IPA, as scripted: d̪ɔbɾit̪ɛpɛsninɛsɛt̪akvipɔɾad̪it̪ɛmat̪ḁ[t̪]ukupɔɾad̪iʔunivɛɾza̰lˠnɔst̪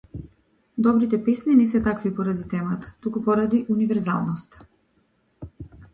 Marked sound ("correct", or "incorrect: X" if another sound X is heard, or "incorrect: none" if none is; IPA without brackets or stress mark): correct